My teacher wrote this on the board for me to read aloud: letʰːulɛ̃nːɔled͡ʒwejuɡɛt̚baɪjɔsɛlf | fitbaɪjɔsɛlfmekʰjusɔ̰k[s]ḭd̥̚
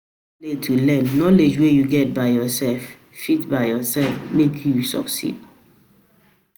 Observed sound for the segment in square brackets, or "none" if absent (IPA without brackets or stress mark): s